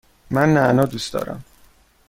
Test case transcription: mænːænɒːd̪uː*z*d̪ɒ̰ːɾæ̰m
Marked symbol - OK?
no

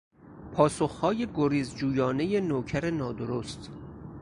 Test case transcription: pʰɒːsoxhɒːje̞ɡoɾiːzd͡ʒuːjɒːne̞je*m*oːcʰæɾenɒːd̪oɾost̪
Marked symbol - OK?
no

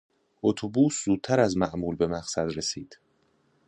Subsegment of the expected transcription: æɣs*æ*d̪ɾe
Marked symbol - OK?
yes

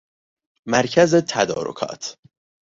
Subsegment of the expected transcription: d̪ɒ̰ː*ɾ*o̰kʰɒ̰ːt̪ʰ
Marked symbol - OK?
yes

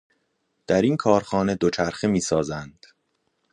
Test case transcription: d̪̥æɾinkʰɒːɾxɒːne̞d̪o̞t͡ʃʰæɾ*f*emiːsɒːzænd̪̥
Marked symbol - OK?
no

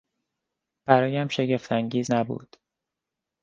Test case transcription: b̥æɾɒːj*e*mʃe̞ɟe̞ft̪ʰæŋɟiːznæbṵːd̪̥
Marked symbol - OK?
no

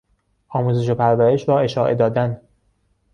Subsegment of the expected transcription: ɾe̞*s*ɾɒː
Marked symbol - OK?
no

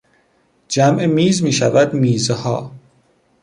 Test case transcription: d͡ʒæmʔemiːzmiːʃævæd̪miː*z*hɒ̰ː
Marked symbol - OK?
yes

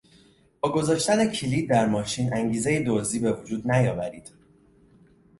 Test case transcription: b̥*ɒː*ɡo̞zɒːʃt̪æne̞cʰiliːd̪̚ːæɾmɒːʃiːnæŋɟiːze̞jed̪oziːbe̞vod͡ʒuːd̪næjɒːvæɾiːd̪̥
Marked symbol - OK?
yes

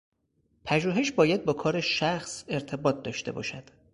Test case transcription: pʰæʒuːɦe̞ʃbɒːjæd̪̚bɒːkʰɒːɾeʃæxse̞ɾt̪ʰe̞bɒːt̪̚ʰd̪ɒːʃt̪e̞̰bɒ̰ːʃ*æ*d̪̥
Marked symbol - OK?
yes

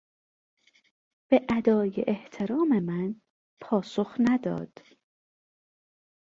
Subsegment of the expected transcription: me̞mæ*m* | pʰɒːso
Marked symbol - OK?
no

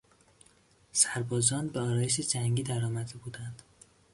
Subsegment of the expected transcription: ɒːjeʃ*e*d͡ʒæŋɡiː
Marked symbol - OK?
yes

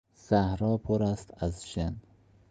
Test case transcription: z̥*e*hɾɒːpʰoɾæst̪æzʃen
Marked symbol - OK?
no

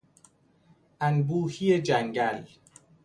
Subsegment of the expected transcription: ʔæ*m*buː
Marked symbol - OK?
no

